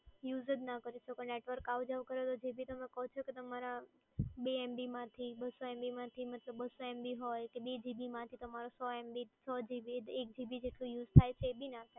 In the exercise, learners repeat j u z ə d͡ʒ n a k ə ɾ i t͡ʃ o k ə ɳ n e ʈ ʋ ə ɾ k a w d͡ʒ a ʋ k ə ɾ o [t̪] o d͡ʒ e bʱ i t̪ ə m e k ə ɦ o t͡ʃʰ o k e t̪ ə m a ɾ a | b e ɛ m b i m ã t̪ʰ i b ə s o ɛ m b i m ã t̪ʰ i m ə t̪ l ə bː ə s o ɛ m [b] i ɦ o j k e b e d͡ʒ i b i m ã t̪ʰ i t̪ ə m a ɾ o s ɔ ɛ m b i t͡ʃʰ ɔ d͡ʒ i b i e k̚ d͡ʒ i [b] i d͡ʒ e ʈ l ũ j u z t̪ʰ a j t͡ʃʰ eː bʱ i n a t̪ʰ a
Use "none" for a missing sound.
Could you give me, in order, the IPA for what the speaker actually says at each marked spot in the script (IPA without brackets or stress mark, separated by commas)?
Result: t̪, b, b